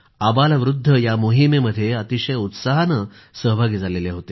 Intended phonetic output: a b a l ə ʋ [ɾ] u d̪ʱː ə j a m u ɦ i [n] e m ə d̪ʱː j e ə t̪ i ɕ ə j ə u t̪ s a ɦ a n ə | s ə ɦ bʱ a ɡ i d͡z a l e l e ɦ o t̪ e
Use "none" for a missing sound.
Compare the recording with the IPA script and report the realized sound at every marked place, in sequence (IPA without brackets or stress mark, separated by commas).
ɾ, m